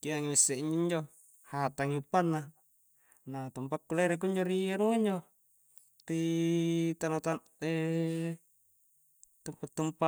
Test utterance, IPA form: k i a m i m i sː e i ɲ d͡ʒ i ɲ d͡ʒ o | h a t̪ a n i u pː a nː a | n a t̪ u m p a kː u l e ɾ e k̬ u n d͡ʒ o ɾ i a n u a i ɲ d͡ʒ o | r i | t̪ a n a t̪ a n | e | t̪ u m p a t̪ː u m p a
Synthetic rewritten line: k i a ŋ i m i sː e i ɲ d͡ʒ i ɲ d͡ʒ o | h a t̪ a ŋ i u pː a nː a | n a t̪ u m p a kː u l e ɾ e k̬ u ɲ d͡ʒ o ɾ i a n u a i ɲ d͡ʒ o | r i | t̪ a n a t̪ a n | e | t̪ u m p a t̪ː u m p a

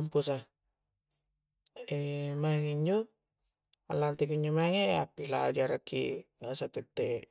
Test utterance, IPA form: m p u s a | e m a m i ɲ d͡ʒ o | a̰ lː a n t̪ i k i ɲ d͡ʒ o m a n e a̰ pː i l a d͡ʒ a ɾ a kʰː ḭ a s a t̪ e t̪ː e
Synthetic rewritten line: m p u s a | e m a ŋ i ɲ d͡ʒ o | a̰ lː a n t̪ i k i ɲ d͡ʒ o m a ŋ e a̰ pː i l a d͡ʒ a ɾ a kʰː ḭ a s a t̪ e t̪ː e

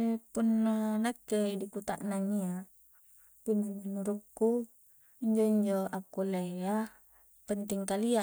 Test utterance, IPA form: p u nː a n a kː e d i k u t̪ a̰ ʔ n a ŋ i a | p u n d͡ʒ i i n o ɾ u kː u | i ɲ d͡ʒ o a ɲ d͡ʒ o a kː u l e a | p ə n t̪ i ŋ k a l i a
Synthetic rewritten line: p u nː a n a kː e d i k u t̪ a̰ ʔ n a ŋ i a | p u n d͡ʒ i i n u ɾ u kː u | i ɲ d͡ʒ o i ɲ d͡ʒ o a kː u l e a | p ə n t̪ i ŋ k a l i a

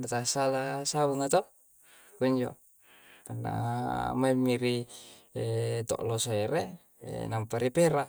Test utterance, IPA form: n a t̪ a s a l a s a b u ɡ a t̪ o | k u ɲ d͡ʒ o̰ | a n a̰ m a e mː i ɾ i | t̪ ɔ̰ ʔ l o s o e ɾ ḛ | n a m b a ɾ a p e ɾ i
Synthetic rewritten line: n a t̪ a s a l a s a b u ŋ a t̪ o | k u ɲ d͡ʒ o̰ | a n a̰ m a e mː i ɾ i | t̪ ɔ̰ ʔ l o s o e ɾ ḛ | n a m p a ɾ i p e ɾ a

